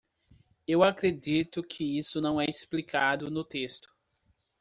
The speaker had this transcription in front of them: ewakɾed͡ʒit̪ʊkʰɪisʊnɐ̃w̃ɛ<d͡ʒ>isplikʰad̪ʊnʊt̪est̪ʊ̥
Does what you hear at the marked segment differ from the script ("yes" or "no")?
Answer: yes